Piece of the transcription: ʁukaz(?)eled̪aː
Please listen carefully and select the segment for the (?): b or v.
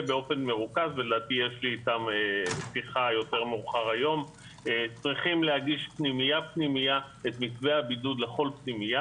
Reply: v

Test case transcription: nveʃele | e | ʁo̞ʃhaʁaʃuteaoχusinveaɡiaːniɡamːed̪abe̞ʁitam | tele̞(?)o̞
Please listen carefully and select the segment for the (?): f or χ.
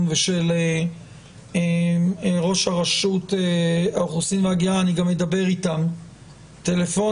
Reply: f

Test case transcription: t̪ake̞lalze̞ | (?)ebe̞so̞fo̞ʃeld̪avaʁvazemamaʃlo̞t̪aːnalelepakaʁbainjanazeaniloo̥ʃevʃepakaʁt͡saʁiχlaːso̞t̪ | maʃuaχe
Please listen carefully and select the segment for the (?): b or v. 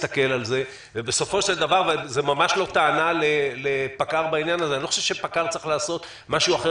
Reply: v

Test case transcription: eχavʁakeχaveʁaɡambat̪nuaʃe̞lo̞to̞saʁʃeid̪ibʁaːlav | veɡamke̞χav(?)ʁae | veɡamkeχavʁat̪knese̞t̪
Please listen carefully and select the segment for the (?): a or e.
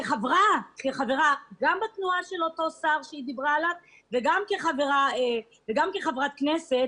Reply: e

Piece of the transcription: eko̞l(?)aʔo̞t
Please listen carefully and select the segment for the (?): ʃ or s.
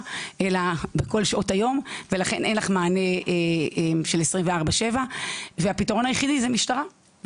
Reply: ʃ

